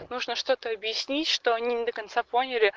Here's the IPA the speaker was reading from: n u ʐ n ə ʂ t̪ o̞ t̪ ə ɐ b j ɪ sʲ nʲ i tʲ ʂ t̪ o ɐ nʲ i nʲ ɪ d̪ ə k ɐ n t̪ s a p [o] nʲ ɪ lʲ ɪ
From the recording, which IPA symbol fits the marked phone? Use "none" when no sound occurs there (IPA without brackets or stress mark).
o